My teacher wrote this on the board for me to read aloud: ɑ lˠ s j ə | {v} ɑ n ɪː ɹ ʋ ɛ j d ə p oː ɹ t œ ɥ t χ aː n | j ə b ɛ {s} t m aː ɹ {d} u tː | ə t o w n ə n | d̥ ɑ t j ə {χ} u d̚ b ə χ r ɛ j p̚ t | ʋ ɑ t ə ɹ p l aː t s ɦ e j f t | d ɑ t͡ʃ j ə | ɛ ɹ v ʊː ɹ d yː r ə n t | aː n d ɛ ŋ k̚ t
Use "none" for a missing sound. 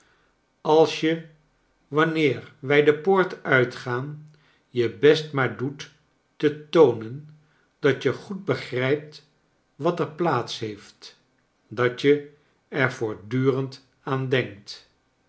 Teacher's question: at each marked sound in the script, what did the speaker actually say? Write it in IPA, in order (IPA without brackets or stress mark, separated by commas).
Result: ʋ, s, d, χ